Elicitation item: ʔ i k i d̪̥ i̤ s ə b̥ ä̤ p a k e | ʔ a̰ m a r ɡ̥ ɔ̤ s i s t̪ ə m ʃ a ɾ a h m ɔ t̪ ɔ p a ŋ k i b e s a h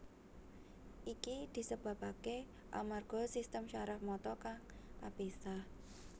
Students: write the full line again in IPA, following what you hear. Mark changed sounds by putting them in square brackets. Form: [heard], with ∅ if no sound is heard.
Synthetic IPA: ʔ i k i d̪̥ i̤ s ə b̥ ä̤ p a k e | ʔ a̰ m a r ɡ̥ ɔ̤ s i s t̪ ə m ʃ a ɾ a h m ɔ t̪ ɔ [k] a ŋ k [a] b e s a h